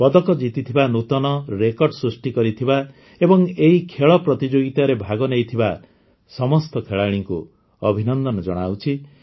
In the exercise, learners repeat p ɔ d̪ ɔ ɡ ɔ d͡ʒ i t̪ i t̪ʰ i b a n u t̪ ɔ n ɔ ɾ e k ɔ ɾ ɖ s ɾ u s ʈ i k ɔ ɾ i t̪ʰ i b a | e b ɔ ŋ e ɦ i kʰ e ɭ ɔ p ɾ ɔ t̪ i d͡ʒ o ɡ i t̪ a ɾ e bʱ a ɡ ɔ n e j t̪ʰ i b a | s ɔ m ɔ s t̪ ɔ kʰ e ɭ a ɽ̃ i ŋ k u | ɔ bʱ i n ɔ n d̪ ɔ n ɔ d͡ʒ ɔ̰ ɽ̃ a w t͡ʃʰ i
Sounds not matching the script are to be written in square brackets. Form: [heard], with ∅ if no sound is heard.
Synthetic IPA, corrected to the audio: p ɔ d̪ ɔ [k] ɔ d͡ʒ i t̪ i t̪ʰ i b a n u t̪ ɔ n ɔ ɾ e k ɔ ɾ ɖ s ɾ u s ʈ i k ɔ ɾ i t̪ʰ i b a | e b ɔ ŋ e ɦ i kʰ e ɭ ɔ p ɾ ɔ t̪ i d͡ʒ o ɡ i t̪ a ɾ e bʱ a ɡ ɔ n e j t̪ʰ i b a | s ɔ m ɔ s t̪ ɔ kʰ e ɭ a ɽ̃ i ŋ k u | ɔ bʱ i n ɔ n d̪ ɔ n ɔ d͡ʒ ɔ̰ ɽ̃ a w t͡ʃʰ i

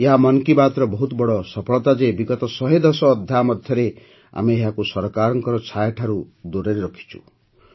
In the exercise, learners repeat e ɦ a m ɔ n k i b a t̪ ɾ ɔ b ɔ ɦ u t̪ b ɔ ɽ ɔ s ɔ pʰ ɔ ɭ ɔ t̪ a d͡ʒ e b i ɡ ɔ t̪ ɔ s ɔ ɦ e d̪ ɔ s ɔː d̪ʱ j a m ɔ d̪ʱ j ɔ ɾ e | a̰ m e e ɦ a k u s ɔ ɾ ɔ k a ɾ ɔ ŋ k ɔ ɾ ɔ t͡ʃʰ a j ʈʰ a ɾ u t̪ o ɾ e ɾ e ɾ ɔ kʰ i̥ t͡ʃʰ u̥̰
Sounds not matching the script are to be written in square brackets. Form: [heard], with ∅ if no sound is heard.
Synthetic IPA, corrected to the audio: e ɦ a m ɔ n k i b a t̪ ɾ ɔ b ɔ ɦ u t̪ b ɔ ɽ ɔ s ɔ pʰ ɔ ɭ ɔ t̪ a d͡ʒ e b i ɡ ɔ t̪ ɔ s ɔ ɦ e d̪ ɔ s ɔː d̪ʱ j a m ɔ d̪ʱ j ɔ ɾ e | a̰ m e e ɦ a k u s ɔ ɾ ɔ k a ɾ ɔ ŋ k ɔ ɾ ɔ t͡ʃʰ a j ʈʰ a ɾ u [d̪] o ɾ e ɾ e ɾ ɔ kʰ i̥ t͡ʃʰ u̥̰

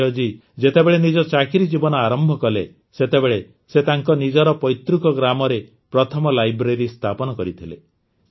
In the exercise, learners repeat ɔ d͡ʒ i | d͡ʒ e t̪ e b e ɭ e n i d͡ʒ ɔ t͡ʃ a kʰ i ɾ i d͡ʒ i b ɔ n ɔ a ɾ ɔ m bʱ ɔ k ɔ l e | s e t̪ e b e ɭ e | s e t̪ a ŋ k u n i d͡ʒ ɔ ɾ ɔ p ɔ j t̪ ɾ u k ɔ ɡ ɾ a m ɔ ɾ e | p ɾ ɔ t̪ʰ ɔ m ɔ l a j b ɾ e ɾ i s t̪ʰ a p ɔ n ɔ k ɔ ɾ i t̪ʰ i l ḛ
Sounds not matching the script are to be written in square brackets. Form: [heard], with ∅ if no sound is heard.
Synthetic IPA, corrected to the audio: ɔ d͡ʒ i | d͡ʒ e t̪ e b e ɭ e n i d͡ʒ ɔ t͡ʃ a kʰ i ɾ i d͡ʒ i b ɔ n ɔ a ɾ ɔ m bʱ ɔ k ɔ l e | s e t̪ e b e ɭ e | s e t̪ a ŋ k [ɔ] n i d͡ʒ ɔ ɾ ɔ p ɔ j t̪ ɾ u k ɔ ɡ ɾ a m ɔ ɾ e | p ɾ ɔ t̪ʰ ɔ m ɔ l a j b ɾ e ɾ i s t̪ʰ a p ɔ n ɔ k ɔ ɾ i t̪ʰ i l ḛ

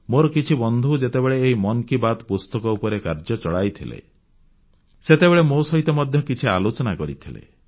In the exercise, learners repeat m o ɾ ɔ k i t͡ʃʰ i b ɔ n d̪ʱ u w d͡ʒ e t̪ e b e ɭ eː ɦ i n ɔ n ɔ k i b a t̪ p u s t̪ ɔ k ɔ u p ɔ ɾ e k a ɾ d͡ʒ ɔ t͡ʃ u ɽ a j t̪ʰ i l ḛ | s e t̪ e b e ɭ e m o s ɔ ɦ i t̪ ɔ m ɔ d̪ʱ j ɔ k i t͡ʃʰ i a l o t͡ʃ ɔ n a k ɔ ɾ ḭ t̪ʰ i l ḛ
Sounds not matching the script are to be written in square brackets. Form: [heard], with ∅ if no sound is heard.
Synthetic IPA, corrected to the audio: m o ɾ ɔ k i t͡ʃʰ i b ɔ n d̪ʱ u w d͡ʒ e t̪ e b e ɭ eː ɦ i [m] ɔ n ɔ k i b a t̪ p u s t̪ ɔ k ɔ u p ɔ ɾ e k a ɾ d͡ʒ ɔ t͡ʃ [ɔ] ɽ a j t̪ʰ i l ḛ | s e t̪ e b e ɭ e m o s ɔ ɦ i t̪ ɔ m ɔ d̪ʱ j ɔ k i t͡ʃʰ i a l o t͡ʃ ɔ n a k ɔ ɾ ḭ t̪ʰ i l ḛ

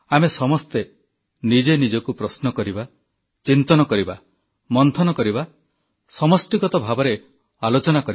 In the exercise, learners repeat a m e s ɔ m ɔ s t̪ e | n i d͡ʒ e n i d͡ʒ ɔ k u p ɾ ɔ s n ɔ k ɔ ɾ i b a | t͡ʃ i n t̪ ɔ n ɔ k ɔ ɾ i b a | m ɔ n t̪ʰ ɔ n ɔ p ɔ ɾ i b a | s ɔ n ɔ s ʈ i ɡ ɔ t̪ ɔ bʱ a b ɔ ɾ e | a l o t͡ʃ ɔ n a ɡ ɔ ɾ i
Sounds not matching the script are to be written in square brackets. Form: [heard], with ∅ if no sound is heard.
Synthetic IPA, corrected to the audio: a m e s ɔ m ɔ s t̪ e | n i d͡ʒ e n i d͡ʒ ɔ k u p ɾ ɔ s n ɔ k ɔ ɾ i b a | t͡ʃ i n t̪ ɔ n ɔ k ɔ ɾ i b a | m ɔ n t̪ʰ ɔ n ɔ [k] ɔ ɾ i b a | s ɔ [m] ɔ s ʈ i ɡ ɔ t̪ ɔ bʱ a b ɔ ɾ e | a l o t͡ʃ ɔ n a [k] ɔ ɾ i

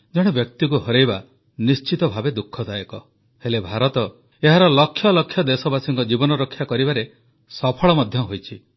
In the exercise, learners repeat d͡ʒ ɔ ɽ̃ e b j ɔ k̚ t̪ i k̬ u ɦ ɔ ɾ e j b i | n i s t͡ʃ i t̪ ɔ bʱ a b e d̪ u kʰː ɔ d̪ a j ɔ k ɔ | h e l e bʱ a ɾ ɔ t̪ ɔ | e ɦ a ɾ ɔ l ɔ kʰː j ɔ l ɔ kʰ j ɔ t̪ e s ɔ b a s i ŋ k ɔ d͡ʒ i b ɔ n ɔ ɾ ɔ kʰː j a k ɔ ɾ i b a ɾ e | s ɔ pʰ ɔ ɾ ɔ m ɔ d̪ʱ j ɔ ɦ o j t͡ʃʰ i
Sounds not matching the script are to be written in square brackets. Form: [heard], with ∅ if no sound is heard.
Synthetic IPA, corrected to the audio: d͡ʒ ɔ ɽ̃ e b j ɔ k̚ t̪ i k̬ u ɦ ɔ ɾ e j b [a] | n i s t͡ʃ i t̪ ɔ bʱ a b e d̪ u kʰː ɔ d̪ a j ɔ k ɔ | h e l e bʱ a ɾ ɔ t̪ ɔ | e ɦ a ɾ ɔ l ɔ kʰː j ɔ l ɔ kʰ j ɔ [d̪] e s ɔ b a s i ŋ k ɔ d͡ʒ i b ɔ n ɔ ɾ ɔ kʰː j a k ɔ ɾ i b a ɾ e | s ɔ pʰ ɔ [ɭ] ɔ m ɔ d̪ʱ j ɔ ɦ o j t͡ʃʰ i

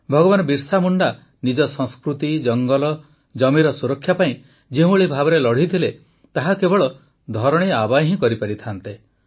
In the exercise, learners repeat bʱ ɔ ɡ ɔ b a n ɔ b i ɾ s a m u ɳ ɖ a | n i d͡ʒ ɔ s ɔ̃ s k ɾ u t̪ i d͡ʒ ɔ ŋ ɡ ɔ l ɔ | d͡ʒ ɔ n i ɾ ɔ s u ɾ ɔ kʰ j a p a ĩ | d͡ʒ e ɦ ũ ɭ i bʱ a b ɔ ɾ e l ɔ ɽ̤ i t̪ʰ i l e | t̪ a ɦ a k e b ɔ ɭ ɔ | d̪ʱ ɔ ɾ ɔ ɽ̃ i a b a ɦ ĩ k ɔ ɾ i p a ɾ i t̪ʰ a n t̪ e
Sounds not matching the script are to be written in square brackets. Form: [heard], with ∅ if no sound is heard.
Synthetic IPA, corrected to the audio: bʱ ɔ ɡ ɔ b a n ɔ b i ɾ s a m u ɳ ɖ a | n i d͡ʒ ɔ s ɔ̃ s k ɾ u t̪ i d͡ʒ ɔ ŋ ɡ ɔ l ɔ | d͡ʒ ɔ [m] i ɾ ɔ s u ɾ ɔ kʰ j a p a ĩ | d͡ʒ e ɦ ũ ɭ i bʱ a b ɔ ɾ e l ɔ ɽ̤ i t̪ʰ i l e | t̪ a ɦ a k e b ɔ ɭ ɔ | d̪ʱ ɔ ɾ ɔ ɽ̃ i a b a ɦ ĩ k ɔ ɾ i p a ɾ i t̪ʰ a n t̪ e

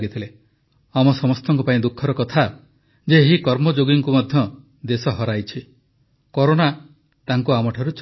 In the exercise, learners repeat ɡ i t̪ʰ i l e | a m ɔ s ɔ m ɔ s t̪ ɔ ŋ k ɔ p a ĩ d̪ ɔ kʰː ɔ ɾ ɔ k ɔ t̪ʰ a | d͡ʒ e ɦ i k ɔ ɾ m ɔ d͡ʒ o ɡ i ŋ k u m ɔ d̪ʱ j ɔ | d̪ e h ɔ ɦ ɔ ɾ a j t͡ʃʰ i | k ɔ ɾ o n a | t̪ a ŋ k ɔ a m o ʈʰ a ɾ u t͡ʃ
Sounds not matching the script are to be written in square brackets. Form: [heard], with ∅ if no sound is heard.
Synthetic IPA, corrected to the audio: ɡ i t̪ʰ i l e | a m ɔ s ɔ m ɔ s t̪ ɔ ŋ k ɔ p a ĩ d̪ [u] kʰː ɔ ɾ ɔ k ɔ t̪ʰ a | d͡ʒ e ɦ i k ɔ ɾ m ɔ d͡ʒ o ɡ i ŋ k u m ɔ d̪ʱ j ɔ | d̪ e [s] ɔ ɦ ɔ ɾ a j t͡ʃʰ i | k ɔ ɾ o n a | t̪ a ŋ k [u] a m [ɔ] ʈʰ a ɾ u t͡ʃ

